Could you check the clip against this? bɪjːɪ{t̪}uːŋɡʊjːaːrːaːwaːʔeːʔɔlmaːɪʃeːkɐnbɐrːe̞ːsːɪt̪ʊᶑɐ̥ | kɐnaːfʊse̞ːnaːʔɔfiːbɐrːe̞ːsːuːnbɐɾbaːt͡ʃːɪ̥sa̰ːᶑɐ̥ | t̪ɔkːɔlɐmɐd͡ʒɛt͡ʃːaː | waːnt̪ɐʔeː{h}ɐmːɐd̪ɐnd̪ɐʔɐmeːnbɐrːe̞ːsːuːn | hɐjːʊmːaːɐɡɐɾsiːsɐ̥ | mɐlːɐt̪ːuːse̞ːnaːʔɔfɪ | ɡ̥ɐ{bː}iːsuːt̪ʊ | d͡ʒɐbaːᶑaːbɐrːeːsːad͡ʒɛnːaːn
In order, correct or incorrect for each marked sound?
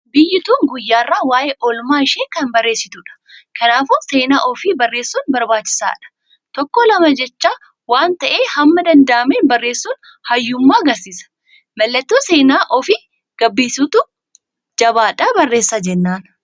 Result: correct, correct, correct

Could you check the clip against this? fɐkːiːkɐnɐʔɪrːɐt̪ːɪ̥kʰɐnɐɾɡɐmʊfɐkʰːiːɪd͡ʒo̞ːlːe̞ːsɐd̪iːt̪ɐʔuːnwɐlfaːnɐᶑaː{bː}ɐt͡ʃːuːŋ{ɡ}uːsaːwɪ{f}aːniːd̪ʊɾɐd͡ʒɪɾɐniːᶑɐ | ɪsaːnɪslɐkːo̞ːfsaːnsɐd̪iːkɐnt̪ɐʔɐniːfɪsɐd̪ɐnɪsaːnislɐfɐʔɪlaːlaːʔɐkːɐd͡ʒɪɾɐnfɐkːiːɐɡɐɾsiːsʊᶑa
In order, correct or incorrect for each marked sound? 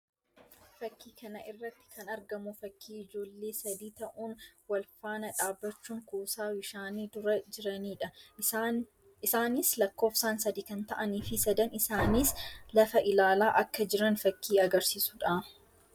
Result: correct, incorrect, incorrect

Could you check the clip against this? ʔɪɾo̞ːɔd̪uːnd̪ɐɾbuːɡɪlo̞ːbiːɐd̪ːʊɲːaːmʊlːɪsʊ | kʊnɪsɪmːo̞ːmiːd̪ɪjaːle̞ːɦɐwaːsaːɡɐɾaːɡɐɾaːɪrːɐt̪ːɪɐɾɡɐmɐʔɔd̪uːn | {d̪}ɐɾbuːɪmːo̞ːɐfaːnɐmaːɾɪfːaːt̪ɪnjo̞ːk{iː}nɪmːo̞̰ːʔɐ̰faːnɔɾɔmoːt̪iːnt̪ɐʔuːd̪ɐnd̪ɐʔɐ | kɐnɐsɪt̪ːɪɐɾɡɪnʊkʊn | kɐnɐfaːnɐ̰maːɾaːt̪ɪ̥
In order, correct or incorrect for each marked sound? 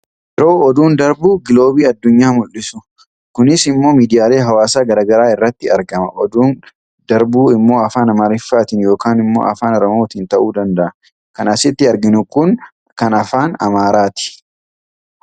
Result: correct, incorrect

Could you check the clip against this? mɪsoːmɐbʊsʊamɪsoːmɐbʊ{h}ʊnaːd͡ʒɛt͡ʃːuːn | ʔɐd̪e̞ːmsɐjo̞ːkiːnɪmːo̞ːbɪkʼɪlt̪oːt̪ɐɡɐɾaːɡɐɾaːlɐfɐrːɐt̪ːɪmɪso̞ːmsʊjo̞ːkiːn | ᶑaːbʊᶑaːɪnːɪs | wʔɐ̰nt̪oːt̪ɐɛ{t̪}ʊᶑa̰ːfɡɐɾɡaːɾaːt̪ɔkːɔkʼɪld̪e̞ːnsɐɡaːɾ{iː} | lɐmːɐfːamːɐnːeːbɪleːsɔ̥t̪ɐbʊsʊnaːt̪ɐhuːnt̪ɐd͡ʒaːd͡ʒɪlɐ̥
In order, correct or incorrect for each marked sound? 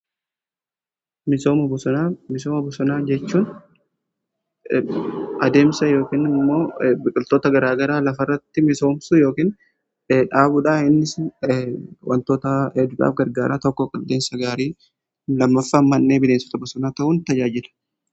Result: incorrect, incorrect, correct

